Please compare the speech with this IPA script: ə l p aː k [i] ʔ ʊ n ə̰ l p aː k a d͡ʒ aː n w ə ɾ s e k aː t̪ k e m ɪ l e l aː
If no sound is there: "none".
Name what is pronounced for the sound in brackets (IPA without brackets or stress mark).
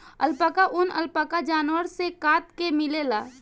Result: a